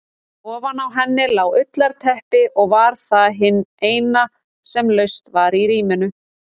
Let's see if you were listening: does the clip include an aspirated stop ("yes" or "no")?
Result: yes